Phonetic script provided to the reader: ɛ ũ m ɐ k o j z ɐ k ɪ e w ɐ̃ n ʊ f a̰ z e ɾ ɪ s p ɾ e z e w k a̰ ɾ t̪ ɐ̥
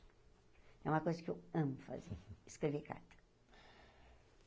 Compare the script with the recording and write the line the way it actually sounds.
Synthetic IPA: ɛ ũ m ɐ k o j z ɐ k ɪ e w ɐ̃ m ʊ f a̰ z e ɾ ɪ s k ɾ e v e k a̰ ɾ t̪ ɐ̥